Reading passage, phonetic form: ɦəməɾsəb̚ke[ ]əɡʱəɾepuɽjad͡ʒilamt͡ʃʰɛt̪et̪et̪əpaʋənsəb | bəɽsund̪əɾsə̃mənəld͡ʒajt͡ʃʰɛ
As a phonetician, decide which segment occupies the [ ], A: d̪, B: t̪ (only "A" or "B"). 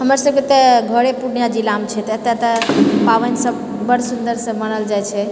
B